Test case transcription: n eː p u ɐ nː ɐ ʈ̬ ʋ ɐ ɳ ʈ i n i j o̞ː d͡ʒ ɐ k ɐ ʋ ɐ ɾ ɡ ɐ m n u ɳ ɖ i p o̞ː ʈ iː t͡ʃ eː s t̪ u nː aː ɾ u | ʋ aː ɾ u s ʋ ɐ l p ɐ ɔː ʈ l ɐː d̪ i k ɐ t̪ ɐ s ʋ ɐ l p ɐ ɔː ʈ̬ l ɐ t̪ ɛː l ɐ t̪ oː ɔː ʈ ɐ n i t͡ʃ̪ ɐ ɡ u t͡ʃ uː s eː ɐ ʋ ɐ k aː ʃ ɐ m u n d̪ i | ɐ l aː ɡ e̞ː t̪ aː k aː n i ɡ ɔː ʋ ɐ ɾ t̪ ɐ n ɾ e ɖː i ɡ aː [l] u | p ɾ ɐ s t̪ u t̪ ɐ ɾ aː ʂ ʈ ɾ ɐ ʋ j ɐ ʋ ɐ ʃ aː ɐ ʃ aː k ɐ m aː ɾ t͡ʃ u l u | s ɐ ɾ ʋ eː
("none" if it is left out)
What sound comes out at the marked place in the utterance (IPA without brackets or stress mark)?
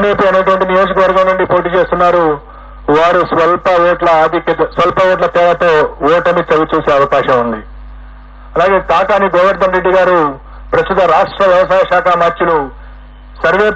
ɾ